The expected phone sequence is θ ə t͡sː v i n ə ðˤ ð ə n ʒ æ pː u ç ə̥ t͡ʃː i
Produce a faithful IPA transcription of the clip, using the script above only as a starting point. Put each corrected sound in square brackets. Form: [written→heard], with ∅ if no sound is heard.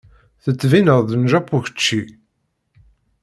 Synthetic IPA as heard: θ ə t͡sː v i n ə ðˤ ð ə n ʒ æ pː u ç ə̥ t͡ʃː i